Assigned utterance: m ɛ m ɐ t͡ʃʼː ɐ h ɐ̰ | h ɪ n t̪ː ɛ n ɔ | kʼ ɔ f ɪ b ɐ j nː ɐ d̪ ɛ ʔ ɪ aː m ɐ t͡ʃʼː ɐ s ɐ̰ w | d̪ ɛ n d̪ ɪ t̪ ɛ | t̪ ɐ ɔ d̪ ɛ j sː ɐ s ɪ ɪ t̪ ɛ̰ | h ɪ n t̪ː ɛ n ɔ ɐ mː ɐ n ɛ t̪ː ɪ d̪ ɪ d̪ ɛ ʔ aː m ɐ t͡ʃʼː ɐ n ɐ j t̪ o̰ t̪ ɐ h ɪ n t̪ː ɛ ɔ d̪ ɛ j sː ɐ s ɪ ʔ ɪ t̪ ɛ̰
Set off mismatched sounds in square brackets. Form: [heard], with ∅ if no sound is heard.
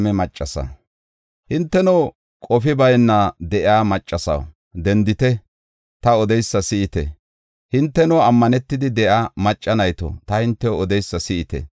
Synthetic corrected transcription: m ɛ m ɐ t͡ʃʼː ɐ [s] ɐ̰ | h ɪ n t̪ː ɛ n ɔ | kʼ ɔ f ɪ b ɐ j nː ɐ d̪ ɛ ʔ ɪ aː m ɐ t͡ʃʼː ɐ s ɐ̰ w | d̪ ɛ n d̪ ɪ t̪ ɛ | t̪ ɐ ɔ d̪ ɛ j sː ɐ s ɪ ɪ t̪ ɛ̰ | h ɪ n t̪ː ɛ n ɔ ɐ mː ɐ n ɛ t̪ː ɪ d̪ ɪ d̪ ɛ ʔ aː m ɐ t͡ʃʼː ɐ n ɐ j t̪ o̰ t̪ ɐ h ɪ n t̪ː ɛ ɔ d̪ ɛ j sː ɐ s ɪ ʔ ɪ t̪ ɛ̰